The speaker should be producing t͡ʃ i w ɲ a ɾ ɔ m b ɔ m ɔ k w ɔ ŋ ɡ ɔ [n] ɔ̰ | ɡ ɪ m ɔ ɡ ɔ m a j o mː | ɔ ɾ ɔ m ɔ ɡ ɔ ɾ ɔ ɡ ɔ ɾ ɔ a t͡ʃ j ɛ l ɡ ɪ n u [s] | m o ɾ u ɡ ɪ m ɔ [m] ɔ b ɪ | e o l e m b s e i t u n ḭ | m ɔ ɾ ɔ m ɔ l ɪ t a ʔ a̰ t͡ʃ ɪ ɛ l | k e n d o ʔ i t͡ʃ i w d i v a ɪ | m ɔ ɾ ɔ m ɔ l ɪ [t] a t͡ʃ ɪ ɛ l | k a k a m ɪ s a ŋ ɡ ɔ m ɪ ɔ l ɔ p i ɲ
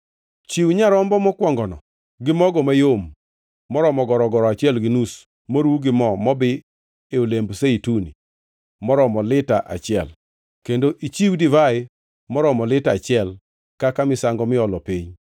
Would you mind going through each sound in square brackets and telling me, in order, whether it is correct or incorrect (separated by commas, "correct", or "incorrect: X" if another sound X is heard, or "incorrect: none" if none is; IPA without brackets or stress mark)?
correct, correct, correct, correct